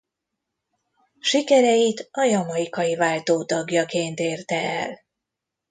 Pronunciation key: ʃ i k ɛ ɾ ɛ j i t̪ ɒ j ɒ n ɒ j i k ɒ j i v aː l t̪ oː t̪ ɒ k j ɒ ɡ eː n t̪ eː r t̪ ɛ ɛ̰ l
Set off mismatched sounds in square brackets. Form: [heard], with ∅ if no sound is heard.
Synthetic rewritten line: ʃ i k ɛ ɾ ɛ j i t̪ ɒ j ɒ [m] ɒ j i k ɒ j i v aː l t̪ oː t̪ ɒ [ɡ] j ɒ [k] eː n t̪ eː r t̪ ɛ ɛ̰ l

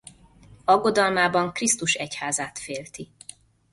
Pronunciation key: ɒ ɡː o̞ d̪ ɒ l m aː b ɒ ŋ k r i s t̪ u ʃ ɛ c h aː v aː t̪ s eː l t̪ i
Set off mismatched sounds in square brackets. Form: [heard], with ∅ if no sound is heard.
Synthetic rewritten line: ɒ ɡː o̞ d̪ ɒ l m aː b ɒ ŋ k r i s t̪ u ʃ ɛ c h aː [z] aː t̪ [f] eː l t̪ i

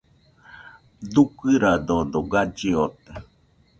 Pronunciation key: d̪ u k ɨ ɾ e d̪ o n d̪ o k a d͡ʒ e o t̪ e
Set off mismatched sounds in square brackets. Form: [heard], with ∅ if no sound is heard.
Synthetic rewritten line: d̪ u k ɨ ɾ [a] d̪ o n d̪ o [ɡ] a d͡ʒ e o t̪ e

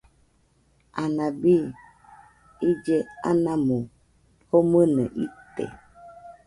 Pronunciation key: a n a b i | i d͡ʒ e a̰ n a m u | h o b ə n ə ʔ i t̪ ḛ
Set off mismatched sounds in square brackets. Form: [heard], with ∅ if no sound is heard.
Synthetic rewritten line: a n a b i | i d͡ʒ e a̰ n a m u | h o [m] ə n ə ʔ i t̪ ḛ

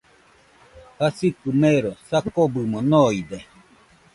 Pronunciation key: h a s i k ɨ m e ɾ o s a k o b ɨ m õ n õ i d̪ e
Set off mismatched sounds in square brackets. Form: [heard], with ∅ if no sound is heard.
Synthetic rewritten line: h a s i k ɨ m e ɾ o s a k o b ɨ m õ n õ i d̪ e

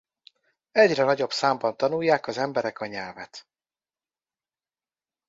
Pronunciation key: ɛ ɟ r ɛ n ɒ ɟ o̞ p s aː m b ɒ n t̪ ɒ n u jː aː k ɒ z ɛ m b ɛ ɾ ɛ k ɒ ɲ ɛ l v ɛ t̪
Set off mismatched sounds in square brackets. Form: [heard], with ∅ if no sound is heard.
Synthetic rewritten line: ɛ ɟ r ɛ n ɒ ɟ o̞ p s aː m b ɒ n t̪ ɒ n u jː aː k ɒ z ɛ m b ɛ ɾ ɛ k ɒ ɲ ɛ l v ɛ t̪

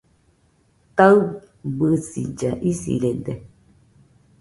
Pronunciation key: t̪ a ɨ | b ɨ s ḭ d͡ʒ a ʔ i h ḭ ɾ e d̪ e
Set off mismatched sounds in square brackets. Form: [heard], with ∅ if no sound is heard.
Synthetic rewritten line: t̪ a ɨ | b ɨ s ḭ d͡ʒ a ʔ i [s] ḭ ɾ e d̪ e

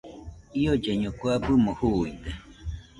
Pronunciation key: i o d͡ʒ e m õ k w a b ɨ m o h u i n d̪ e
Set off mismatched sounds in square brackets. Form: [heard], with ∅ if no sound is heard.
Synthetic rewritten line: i o d͡ʒ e [ɲ] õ k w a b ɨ m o h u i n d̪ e

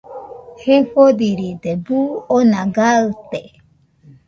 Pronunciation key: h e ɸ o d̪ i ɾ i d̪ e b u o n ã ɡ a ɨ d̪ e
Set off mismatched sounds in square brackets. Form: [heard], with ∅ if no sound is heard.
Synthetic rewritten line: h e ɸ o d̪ i ɾ i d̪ e b u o n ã ɡ a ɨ [t̪] e

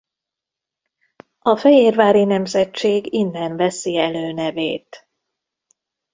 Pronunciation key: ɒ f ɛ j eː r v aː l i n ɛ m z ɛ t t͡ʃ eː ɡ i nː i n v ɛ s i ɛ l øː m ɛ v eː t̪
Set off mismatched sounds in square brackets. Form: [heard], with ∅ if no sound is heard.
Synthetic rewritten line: ɒ f ɛ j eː r v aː [ɾ] i n ɛ m z ɛ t t͡ʃ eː ɡ i nː [ɛ] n v ɛ s i ɛ l øː [n] ɛ v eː t̪

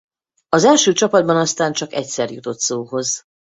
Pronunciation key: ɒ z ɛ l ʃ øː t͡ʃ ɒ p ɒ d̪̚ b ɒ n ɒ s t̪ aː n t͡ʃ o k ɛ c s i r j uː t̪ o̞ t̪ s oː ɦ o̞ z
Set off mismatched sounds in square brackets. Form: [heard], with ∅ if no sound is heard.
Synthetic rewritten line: ɒ z ɛ l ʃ øː t͡ʃ ɒ p ɒ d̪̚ b ɒ n ɒ s t̪ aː n t͡ʃ [ɒ] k ɛ c s [ɛ] r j [u] t̪ o̞ t̪ s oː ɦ o̞ z

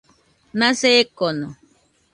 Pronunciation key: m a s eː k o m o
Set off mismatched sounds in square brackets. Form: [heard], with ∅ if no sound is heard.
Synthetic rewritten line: [n] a s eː k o [n] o

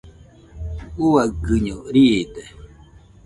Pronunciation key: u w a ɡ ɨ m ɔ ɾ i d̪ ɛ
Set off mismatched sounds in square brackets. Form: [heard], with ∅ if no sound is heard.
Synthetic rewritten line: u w a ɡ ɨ [ɲ] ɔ ɾ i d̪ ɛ

